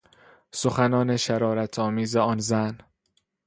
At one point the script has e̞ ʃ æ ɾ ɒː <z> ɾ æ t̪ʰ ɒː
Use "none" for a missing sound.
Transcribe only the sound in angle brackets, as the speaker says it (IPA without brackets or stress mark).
none